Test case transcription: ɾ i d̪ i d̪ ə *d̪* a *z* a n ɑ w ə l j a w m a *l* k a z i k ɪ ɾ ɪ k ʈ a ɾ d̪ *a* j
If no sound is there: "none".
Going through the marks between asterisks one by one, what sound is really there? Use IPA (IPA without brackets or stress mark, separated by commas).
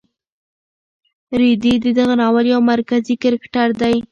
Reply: d̪, ɣ, ɾ, a